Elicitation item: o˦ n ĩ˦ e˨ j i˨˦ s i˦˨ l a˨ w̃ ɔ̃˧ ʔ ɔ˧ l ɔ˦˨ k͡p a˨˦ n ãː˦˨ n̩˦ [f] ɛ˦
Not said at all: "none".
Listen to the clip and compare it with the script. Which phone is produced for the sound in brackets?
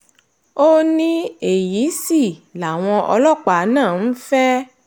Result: f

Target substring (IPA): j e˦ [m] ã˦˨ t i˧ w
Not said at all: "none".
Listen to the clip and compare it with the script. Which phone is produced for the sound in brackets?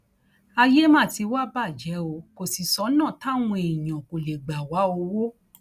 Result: m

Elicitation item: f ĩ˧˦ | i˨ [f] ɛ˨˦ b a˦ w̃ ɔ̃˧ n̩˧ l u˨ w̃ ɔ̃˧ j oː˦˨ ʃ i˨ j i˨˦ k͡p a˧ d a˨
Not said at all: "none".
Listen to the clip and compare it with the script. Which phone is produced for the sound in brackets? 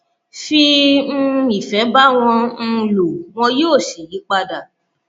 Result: f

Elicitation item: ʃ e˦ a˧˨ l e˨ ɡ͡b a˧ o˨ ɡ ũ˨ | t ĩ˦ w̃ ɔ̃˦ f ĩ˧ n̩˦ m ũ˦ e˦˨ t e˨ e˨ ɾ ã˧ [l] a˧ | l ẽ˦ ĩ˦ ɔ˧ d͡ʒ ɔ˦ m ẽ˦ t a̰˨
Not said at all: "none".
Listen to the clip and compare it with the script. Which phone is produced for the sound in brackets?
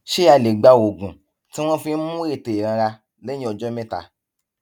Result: ɾ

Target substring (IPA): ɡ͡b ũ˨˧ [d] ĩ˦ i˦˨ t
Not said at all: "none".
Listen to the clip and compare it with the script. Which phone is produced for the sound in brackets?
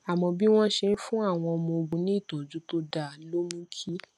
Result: n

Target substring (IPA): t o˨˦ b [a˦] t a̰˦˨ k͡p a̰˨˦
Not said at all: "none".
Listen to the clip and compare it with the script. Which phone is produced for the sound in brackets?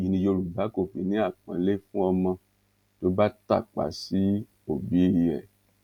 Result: a˦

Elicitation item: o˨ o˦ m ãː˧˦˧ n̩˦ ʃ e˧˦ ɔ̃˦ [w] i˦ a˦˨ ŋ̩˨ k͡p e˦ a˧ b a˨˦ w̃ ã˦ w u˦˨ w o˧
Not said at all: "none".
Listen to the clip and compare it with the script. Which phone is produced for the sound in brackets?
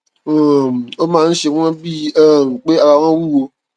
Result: b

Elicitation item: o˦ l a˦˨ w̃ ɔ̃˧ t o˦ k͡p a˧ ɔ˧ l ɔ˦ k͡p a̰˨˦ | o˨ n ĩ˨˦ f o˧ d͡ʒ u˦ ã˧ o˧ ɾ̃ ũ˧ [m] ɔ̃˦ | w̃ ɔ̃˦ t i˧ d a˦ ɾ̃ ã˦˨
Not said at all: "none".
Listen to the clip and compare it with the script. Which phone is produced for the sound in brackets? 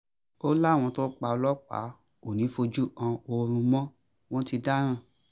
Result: m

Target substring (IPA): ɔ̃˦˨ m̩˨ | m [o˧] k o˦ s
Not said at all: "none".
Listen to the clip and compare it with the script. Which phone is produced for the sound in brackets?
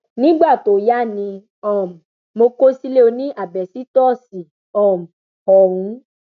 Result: o˧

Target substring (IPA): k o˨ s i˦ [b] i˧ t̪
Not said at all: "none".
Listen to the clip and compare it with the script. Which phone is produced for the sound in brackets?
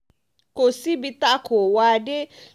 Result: b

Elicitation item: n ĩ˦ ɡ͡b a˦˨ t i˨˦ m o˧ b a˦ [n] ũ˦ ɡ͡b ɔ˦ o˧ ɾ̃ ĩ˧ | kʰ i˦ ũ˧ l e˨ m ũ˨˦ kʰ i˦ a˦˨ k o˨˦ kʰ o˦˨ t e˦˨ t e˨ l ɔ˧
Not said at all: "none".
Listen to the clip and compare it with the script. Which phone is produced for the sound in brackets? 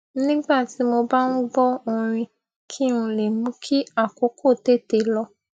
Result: n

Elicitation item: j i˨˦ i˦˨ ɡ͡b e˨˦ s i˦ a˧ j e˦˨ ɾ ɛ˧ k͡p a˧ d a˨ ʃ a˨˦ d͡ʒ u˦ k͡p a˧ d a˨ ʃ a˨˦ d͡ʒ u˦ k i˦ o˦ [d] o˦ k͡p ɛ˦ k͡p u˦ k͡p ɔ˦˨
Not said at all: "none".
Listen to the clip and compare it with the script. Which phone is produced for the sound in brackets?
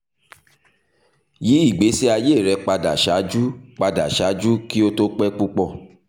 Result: t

